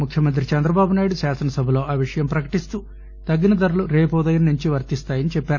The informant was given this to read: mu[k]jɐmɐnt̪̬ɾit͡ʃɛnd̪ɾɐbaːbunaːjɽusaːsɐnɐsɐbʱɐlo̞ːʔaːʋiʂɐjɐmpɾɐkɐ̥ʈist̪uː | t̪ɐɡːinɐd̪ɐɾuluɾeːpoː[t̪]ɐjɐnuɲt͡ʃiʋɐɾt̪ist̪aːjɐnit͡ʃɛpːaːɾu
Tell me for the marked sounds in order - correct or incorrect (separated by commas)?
incorrect, incorrect